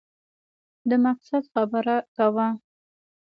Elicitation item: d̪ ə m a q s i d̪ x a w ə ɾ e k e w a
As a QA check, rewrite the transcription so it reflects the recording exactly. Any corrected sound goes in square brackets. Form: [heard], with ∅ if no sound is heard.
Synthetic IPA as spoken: d̪ ə m a q s [a] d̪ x a [b] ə ɾ [a] k [a] w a